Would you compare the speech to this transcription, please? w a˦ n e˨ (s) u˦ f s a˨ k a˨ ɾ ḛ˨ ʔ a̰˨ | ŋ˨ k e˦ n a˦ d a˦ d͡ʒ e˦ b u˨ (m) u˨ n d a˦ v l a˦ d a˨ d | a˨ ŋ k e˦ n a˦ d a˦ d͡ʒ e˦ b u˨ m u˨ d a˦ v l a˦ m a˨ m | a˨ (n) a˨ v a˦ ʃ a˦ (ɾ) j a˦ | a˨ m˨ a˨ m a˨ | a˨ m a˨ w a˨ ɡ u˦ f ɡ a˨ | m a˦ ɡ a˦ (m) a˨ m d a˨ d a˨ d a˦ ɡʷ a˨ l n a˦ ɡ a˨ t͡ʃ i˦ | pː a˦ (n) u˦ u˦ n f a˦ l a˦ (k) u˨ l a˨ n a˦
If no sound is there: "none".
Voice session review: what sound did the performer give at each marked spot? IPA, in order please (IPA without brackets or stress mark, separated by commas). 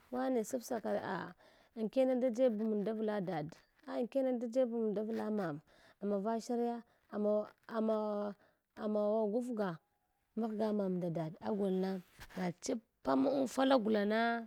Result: s, m, m, ɾ, m, m, ɡ